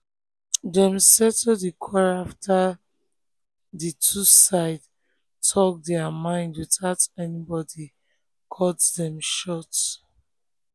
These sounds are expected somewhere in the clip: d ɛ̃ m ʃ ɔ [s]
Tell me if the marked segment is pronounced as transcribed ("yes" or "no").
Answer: no